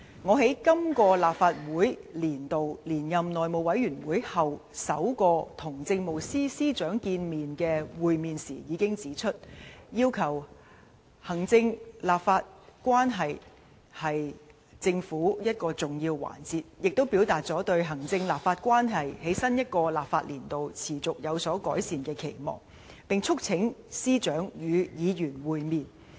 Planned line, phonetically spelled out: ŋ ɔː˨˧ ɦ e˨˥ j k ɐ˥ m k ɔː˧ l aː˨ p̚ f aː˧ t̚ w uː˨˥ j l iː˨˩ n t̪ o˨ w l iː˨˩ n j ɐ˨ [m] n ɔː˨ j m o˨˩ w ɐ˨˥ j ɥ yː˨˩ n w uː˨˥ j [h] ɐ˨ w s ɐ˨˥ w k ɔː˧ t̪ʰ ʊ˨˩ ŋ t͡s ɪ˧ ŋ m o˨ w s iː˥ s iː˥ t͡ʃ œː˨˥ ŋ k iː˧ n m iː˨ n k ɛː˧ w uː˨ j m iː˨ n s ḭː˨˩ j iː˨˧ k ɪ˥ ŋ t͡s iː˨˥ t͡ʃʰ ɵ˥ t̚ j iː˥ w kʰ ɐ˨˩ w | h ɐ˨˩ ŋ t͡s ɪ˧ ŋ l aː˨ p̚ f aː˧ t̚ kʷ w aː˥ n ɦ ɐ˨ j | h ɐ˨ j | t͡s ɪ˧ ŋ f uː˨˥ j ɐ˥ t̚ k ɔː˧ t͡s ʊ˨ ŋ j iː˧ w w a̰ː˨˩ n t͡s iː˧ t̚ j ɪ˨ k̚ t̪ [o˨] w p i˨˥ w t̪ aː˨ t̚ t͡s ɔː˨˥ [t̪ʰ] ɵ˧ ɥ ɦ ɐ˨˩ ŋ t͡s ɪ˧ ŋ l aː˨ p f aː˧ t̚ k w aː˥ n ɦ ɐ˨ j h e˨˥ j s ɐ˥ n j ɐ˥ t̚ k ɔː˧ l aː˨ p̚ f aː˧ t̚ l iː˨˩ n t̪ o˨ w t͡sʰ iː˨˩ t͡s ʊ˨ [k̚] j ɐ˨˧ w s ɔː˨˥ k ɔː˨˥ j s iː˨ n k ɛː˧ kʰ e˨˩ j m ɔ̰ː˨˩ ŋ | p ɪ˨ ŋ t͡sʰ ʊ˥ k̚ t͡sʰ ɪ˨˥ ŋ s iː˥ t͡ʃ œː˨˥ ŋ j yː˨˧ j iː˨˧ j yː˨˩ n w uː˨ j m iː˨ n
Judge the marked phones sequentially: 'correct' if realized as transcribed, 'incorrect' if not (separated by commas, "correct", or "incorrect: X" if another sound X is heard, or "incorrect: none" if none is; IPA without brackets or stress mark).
correct, correct, incorrect: o˥, incorrect: t̪, correct